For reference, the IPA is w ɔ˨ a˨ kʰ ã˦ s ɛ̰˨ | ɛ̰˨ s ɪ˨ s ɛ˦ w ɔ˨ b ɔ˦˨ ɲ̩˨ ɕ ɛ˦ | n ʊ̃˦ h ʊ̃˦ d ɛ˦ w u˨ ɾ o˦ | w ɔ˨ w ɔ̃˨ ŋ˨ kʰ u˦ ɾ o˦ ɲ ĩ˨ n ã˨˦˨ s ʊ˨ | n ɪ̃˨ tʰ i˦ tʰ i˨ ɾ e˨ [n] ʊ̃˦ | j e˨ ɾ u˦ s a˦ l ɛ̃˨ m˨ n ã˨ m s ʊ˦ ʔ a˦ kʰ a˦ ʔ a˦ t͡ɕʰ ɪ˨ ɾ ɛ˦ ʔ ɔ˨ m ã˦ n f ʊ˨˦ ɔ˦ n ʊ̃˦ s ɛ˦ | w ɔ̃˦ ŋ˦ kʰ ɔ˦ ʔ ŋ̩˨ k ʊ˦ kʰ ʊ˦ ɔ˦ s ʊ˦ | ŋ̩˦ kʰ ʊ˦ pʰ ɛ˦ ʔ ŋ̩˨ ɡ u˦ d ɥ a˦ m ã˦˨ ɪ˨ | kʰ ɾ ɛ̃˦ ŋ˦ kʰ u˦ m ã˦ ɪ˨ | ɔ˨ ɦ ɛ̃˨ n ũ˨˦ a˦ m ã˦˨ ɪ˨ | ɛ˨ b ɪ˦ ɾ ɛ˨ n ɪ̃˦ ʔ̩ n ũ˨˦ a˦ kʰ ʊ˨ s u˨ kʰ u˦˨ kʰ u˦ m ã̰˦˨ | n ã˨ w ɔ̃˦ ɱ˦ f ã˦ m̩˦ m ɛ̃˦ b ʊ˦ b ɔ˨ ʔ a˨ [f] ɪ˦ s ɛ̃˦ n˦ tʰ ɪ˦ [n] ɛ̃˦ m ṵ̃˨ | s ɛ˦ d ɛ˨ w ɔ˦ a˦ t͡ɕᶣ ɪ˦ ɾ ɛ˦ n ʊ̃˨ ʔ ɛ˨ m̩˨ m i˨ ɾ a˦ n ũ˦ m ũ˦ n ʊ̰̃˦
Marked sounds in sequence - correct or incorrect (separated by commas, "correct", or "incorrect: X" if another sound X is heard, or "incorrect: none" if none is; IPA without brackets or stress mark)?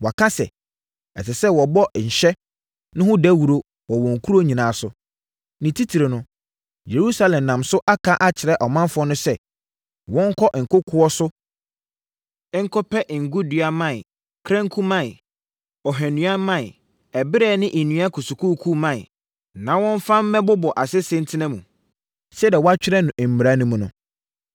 correct, incorrect: s, correct